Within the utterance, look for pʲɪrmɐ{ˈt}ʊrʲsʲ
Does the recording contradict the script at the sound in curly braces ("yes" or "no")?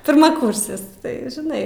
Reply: yes